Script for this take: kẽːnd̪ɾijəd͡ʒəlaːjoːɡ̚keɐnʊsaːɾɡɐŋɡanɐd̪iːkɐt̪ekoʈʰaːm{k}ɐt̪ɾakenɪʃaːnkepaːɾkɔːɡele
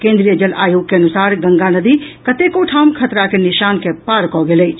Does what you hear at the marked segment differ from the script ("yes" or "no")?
yes